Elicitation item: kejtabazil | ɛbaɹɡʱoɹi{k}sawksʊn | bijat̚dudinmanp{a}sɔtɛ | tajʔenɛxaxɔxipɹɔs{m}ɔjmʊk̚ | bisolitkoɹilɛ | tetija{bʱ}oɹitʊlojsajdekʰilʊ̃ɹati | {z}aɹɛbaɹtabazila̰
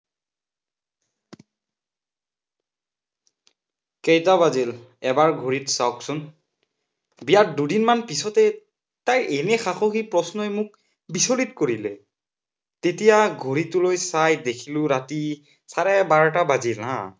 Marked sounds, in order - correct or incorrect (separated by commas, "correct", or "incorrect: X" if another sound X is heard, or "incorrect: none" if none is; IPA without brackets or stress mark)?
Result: incorrect: t, incorrect: i, incorrect: n, incorrect: ɡʱ, incorrect: s